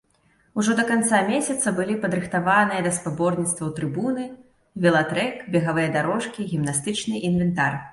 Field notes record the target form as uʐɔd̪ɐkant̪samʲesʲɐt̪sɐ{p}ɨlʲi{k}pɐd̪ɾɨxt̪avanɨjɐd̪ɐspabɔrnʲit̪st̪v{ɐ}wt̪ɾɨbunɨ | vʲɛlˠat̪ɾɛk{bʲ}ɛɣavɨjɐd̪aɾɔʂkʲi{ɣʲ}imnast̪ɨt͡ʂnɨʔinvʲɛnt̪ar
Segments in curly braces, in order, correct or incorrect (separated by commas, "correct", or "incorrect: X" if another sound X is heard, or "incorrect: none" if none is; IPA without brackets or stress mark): incorrect: b, incorrect: none, correct, correct, correct